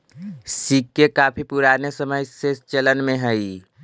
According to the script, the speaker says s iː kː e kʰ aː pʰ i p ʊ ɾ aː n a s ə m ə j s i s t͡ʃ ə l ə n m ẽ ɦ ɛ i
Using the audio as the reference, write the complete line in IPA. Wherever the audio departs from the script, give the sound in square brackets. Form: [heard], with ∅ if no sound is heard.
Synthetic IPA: s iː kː e [k] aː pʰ i p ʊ ɾ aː n [e] s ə m ə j s [e] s t͡ʃ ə l ə n m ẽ ɦ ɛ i